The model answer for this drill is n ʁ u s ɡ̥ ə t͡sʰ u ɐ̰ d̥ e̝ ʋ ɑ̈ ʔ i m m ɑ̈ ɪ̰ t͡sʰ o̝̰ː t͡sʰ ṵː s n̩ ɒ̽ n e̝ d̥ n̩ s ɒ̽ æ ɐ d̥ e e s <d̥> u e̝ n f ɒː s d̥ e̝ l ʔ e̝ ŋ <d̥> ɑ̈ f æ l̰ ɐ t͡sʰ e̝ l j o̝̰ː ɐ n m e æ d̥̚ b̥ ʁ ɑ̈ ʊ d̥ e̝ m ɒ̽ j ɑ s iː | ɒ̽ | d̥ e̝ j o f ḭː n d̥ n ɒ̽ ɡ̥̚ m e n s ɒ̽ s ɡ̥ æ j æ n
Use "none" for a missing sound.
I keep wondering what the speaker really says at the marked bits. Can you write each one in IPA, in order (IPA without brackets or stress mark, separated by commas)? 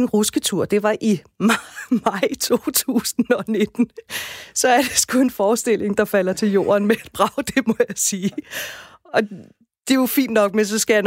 ɡ̥, d̥